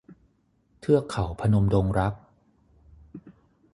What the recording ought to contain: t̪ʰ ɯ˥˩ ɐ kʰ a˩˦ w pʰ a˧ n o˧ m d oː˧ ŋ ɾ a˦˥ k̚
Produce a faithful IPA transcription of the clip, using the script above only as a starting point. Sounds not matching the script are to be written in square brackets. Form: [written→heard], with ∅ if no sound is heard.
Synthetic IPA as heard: t̪ʰ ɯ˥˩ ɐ kʰ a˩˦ w pʰ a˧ n o˧ m d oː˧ ŋ ɾ a˦˥ k̚